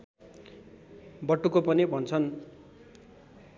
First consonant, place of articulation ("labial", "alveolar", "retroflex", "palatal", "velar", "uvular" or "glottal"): labial